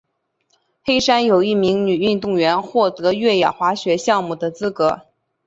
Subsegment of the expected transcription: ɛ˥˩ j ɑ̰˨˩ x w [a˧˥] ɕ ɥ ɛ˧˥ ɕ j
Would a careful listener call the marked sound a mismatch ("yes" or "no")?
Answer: no